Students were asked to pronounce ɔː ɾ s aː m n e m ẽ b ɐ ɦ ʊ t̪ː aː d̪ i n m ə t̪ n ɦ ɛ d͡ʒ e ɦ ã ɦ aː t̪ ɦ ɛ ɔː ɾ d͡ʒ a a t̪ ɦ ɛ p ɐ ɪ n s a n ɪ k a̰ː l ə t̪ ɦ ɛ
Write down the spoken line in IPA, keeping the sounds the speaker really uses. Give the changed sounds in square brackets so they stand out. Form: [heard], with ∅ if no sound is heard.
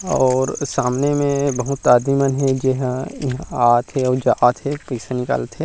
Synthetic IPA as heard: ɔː ɾ s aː m n e m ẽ b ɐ ɦ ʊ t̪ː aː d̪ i [∅] m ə [∅] n ɦ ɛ d͡ʒ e ɦ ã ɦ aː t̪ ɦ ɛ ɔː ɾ d͡ʒ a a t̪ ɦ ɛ p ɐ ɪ [∅] s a n ɪ k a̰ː l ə t̪ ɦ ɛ